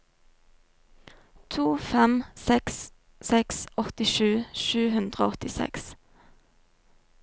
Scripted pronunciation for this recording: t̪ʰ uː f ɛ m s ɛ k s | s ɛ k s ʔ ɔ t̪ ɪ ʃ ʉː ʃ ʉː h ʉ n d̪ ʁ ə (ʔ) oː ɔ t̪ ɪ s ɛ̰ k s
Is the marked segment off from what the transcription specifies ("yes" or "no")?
yes